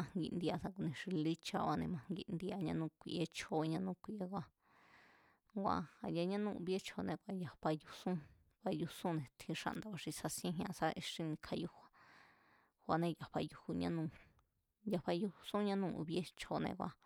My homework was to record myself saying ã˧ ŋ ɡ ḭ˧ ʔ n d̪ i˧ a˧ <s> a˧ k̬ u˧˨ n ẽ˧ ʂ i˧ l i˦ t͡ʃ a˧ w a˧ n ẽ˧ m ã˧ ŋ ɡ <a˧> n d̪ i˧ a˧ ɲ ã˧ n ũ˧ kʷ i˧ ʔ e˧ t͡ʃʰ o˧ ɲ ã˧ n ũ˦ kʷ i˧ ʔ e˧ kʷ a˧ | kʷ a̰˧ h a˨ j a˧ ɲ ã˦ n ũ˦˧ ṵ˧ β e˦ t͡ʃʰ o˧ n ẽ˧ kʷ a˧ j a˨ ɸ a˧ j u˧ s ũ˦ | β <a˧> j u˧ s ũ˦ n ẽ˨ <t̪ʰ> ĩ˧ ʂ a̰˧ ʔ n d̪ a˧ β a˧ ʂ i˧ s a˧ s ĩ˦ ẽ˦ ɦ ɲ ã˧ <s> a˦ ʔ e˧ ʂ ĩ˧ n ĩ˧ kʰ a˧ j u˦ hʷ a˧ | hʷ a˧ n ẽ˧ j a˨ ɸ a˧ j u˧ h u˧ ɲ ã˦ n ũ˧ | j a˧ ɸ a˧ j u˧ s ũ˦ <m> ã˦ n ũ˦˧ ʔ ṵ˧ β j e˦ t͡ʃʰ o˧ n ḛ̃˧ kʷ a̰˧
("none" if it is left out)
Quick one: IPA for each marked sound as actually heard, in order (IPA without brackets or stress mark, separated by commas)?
s, i˧, a˧, t̪ʰ, s, ɲ